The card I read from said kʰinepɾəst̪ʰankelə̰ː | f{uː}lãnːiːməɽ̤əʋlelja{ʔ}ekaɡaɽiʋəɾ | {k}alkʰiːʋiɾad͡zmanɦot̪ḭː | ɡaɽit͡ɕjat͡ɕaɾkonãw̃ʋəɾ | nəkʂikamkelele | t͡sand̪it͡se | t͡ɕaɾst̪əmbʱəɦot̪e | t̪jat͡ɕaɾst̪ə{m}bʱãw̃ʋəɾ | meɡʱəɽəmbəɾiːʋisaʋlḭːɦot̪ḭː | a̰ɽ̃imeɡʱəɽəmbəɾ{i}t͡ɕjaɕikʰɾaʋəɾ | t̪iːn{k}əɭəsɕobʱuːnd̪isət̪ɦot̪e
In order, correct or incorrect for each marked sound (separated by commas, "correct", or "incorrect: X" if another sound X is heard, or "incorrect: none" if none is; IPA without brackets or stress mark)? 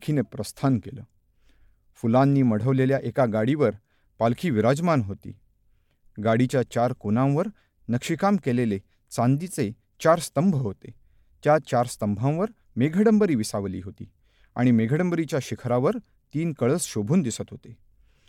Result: incorrect: u, correct, incorrect: p, correct, correct, correct